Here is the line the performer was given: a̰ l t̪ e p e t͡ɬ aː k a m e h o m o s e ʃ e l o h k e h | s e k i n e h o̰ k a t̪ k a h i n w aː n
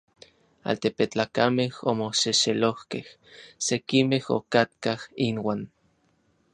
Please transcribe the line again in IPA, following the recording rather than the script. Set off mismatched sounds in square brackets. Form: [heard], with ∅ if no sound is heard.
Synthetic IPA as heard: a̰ l t̪ e p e t͡ɬ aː k a m e h o m o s e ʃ e l o h k e h | s e k i [m] e h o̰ k a t̪ k a h i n w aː n